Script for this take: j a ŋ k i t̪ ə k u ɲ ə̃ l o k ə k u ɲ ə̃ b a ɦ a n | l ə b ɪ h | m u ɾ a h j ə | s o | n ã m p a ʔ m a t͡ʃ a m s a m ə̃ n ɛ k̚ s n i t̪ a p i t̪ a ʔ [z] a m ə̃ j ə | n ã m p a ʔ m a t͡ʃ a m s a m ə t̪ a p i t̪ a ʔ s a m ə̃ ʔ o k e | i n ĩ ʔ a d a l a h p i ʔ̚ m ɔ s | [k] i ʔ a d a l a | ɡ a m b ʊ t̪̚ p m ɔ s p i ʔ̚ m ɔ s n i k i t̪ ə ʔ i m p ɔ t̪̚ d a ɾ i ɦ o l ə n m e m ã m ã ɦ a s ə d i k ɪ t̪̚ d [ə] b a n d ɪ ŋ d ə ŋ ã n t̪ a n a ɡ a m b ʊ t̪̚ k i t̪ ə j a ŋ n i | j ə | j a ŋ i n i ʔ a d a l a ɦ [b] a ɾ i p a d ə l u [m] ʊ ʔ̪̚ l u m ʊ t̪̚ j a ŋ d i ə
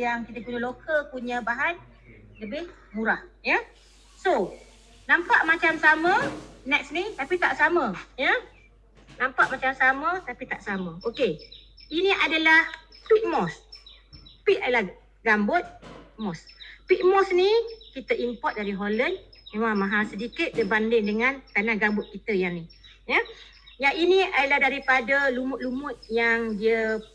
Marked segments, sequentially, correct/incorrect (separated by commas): incorrect, incorrect, correct, incorrect, correct